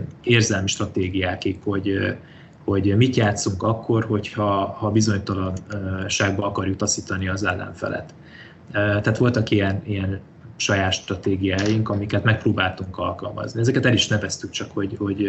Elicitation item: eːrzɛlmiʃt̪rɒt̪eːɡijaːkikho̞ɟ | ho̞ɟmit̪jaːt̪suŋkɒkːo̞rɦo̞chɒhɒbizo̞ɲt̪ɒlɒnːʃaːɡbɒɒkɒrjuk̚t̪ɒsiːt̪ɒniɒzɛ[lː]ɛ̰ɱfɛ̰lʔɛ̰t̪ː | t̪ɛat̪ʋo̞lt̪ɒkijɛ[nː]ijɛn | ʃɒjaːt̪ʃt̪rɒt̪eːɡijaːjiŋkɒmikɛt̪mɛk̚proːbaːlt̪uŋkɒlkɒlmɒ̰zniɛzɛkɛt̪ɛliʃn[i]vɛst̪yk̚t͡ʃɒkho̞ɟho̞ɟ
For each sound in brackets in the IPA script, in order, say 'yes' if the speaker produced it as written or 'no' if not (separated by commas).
yes, no, no